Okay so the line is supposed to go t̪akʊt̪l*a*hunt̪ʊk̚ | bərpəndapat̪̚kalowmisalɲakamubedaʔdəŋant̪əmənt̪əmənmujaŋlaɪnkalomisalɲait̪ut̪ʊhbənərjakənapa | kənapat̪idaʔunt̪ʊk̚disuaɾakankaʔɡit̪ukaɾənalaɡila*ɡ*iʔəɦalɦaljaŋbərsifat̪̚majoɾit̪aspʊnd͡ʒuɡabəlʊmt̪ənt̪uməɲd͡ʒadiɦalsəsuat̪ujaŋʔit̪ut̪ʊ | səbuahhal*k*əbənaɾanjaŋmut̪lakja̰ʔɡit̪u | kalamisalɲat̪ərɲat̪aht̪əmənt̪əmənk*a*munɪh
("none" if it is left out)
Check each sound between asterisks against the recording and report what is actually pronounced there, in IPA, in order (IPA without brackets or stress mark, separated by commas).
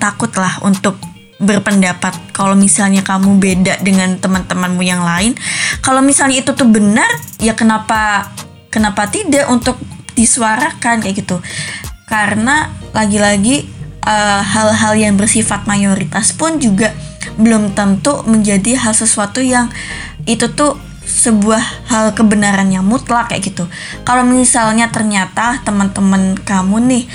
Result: a, ɡ, k, a